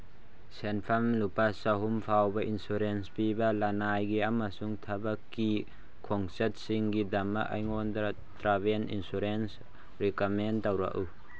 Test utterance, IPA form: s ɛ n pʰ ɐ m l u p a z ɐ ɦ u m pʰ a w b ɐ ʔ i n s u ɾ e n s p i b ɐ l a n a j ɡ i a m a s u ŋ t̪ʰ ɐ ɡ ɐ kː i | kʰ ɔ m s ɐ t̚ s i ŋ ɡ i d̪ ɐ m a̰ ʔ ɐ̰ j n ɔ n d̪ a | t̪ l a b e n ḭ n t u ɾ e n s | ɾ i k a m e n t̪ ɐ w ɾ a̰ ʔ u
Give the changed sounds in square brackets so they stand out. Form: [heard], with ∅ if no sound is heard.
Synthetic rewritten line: s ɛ n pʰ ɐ m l u p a [s] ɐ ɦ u m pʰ a w b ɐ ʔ i n s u ɾ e n s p i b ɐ l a n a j ɡ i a m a s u ŋ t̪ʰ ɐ [b] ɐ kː i | kʰ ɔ [ŋ] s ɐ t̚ s i ŋ ɡ i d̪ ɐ m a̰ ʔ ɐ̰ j [ŋ] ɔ n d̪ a | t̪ [ɾ] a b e n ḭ n [s] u ɾ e n s | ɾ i k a m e n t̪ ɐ w ɾ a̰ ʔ u